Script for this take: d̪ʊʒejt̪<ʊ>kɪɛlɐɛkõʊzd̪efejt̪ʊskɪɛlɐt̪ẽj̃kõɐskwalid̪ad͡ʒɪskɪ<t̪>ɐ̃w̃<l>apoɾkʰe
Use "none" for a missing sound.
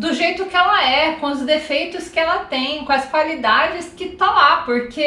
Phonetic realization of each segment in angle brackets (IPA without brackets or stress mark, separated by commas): ʊ, t̪, l